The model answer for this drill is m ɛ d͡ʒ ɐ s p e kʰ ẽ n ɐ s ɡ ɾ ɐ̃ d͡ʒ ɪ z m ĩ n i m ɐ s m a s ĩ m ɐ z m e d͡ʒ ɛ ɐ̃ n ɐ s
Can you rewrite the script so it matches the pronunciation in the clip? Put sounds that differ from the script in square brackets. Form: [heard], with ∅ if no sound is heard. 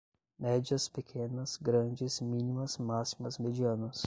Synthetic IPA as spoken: m ɛ d͡ʒ ɐ s p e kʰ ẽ n ɐ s ɡ ɾ ɐ̃ d͡ʒ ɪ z m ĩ n i m ɐ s m a s [i] m ɐ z m e d͡ʒ [i] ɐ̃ n ɐ s